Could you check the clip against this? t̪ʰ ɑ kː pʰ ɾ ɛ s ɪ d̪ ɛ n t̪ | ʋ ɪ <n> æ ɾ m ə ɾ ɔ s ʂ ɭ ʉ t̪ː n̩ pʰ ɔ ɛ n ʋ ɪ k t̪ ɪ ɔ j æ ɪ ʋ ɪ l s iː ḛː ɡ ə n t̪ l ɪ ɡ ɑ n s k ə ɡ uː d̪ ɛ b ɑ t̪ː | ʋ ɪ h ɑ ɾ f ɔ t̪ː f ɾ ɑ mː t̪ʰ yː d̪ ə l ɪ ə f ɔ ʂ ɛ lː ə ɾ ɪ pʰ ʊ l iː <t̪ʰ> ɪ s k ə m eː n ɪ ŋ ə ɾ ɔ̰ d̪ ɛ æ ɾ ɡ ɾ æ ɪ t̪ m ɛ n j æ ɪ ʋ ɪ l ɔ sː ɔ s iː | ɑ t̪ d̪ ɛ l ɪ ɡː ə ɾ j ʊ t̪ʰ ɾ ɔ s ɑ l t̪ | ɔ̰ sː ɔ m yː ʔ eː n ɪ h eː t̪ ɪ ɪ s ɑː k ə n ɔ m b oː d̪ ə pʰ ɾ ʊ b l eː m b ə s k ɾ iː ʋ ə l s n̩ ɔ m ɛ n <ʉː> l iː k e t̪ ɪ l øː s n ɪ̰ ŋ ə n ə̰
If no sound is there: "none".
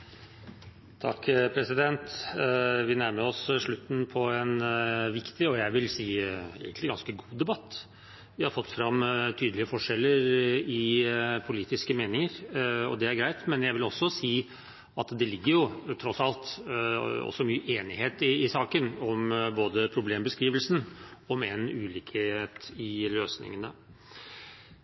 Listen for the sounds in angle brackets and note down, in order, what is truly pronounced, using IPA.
n, t̪, ʉː

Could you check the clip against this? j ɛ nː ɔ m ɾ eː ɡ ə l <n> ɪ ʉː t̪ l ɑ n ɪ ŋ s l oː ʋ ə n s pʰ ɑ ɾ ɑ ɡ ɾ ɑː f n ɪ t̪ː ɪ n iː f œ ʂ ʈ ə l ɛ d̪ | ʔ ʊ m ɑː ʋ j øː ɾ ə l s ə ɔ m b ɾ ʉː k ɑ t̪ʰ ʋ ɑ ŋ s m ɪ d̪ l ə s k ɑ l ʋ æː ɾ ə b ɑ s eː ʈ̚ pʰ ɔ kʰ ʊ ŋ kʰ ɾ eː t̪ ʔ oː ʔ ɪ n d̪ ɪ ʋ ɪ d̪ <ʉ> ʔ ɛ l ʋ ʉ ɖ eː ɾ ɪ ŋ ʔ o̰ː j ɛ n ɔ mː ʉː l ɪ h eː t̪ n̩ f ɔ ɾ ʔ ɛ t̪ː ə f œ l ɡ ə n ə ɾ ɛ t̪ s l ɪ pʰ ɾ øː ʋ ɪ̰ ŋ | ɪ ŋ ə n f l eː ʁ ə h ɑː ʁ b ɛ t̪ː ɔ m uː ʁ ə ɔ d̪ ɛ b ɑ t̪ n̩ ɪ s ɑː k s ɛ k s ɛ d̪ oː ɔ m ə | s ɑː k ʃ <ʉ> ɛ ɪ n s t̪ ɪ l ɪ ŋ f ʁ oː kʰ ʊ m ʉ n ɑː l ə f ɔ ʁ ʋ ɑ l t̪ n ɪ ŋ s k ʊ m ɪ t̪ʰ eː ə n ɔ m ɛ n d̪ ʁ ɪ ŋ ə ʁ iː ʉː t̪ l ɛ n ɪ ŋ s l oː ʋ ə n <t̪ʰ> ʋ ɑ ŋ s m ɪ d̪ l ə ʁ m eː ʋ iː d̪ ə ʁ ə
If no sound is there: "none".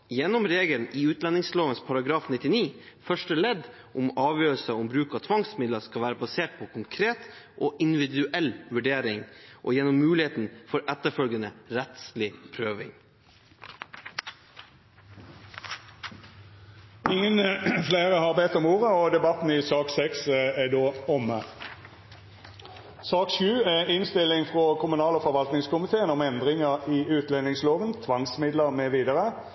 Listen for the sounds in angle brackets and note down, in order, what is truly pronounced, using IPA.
n, ʉ, ʉː, t̪ʰ

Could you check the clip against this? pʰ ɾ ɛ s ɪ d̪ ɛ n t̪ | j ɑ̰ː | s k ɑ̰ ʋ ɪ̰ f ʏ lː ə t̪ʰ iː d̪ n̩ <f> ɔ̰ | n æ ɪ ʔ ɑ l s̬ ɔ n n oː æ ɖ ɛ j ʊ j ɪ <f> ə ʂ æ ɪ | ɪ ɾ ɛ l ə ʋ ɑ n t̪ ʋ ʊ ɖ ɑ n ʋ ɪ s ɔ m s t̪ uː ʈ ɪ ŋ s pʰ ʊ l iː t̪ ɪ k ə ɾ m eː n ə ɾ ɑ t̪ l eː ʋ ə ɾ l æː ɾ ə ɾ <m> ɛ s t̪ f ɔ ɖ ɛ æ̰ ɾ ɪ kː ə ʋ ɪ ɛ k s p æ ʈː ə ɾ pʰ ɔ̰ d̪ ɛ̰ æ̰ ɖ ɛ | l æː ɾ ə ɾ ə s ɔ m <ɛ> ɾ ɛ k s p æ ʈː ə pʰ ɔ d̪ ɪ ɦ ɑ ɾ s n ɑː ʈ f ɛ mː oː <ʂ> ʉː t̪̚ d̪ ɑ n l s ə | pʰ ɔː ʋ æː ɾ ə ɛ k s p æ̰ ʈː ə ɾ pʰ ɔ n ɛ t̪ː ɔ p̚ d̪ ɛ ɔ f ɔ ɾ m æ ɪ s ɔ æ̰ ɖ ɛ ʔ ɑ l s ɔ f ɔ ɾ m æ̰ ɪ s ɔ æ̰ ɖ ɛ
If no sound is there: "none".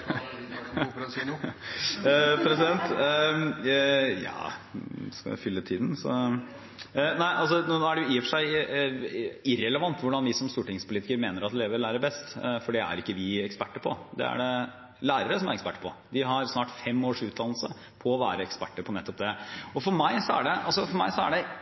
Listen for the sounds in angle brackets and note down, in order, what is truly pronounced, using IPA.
s, f, b, æ, ʂ

